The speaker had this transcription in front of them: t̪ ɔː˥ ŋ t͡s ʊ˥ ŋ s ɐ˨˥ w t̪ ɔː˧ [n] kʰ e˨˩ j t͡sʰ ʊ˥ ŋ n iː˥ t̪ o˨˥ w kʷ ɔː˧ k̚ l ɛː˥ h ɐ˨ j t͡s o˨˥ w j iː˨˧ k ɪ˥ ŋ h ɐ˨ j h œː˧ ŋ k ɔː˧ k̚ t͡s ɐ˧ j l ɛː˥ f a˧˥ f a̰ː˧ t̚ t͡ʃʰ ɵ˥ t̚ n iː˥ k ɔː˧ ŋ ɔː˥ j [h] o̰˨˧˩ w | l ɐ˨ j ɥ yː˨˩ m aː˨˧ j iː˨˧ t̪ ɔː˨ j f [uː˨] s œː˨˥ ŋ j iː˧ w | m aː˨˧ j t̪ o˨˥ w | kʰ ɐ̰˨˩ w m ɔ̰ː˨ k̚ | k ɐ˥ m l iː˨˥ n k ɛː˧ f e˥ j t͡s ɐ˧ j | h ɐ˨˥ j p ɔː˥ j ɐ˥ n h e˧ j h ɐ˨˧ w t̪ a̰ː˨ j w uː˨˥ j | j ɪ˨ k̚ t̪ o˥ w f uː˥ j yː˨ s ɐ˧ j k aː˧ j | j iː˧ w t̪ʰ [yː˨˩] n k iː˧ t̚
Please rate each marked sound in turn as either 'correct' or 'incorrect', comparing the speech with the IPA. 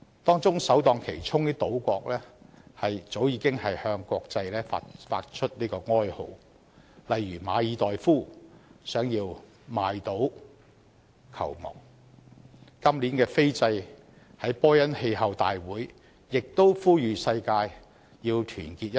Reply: incorrect, correct, incorrect, correct

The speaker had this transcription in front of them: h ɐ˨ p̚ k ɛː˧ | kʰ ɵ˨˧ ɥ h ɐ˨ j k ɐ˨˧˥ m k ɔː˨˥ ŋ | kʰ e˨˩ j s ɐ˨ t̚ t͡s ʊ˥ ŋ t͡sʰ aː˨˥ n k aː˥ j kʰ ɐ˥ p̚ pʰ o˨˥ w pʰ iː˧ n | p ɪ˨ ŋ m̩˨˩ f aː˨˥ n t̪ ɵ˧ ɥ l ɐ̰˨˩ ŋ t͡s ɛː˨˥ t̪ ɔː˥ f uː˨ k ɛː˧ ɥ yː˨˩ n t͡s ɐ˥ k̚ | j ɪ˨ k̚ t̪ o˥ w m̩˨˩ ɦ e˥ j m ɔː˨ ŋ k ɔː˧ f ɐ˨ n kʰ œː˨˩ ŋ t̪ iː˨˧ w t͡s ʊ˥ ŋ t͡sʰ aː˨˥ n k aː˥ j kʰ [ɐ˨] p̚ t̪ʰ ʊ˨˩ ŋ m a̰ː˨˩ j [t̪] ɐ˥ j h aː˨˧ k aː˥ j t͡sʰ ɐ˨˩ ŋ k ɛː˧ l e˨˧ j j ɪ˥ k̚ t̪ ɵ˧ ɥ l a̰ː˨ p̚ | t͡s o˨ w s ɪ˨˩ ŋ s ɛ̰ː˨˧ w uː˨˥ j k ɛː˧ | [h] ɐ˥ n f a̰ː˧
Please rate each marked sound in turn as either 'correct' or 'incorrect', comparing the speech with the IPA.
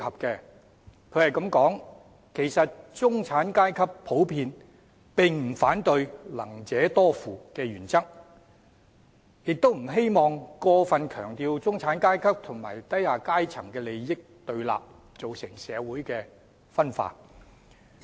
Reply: incorrect, correct, incorrect

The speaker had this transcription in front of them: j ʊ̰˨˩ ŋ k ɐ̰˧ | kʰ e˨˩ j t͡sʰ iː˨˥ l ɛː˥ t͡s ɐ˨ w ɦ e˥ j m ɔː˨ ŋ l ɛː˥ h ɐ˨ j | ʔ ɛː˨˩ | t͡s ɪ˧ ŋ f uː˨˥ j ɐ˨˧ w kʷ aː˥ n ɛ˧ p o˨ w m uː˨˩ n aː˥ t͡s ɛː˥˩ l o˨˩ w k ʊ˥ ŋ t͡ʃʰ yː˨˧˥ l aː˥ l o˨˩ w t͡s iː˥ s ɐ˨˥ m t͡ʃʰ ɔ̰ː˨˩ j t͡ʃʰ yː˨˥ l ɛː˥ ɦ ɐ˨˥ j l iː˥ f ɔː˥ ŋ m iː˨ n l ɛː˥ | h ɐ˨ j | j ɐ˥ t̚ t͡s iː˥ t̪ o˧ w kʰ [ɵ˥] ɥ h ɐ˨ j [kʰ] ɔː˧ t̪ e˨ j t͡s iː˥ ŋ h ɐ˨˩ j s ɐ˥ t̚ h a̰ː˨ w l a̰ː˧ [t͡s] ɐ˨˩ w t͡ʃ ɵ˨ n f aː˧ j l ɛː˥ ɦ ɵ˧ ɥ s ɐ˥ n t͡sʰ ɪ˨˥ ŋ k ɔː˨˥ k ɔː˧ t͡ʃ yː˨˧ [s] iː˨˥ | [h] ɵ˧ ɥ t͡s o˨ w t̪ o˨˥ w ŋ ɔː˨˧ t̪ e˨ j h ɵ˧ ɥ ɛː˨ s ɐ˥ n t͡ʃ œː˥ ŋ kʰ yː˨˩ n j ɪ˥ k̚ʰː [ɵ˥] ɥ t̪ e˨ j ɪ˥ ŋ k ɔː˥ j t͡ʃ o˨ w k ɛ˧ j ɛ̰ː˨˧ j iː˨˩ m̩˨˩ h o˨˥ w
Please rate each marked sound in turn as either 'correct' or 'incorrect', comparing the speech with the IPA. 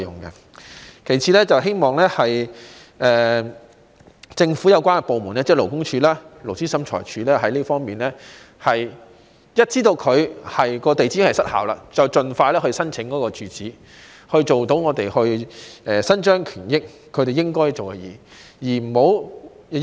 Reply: incorrect, incorrect, correct, incorrect, correct, incorrect

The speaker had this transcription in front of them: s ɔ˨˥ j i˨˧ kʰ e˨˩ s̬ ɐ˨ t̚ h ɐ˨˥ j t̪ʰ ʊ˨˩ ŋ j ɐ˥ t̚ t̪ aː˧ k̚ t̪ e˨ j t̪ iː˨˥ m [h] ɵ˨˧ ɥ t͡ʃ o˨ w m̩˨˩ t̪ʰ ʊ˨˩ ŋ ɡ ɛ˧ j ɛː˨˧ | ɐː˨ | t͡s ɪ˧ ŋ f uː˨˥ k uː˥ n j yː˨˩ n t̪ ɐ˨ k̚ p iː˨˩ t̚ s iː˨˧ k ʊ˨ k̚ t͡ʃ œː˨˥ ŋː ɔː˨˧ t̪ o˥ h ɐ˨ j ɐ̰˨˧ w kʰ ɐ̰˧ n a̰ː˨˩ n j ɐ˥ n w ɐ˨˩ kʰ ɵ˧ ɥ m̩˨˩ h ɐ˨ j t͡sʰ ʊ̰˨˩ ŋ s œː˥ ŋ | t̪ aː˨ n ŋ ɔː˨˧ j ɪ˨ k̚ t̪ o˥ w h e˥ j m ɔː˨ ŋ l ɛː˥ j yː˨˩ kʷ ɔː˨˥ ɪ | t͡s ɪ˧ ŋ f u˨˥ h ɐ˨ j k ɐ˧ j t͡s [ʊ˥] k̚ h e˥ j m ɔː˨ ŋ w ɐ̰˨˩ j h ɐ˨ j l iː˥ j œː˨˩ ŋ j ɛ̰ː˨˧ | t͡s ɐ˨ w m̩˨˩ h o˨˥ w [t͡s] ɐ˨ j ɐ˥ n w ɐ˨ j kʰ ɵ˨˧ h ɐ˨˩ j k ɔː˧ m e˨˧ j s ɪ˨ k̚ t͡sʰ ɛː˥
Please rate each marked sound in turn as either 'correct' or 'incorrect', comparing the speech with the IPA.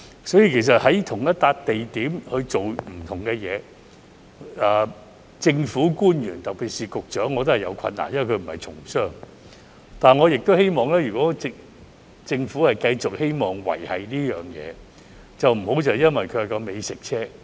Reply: correct, incorrect, correct

